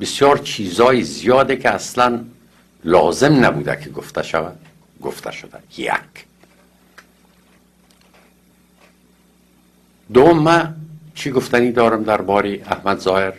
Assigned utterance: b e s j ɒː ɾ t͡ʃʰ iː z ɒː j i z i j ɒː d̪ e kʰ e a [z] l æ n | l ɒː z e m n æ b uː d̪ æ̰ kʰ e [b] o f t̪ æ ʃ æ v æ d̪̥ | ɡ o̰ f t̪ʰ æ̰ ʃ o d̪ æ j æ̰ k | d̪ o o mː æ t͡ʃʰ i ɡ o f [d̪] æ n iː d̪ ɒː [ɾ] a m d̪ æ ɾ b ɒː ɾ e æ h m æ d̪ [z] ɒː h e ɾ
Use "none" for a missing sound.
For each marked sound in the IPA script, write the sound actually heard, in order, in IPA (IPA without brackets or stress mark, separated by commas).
s, ɡ, t̪, ɾ, z